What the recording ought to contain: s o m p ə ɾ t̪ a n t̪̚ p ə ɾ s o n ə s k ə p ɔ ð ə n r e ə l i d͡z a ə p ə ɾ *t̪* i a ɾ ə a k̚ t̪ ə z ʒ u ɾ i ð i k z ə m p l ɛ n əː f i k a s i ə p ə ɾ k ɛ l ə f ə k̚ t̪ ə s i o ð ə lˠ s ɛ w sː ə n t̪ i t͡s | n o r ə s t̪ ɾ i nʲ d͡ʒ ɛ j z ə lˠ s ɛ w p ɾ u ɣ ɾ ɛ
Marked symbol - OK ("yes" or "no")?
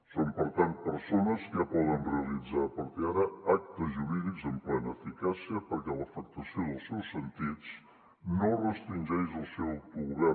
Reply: yes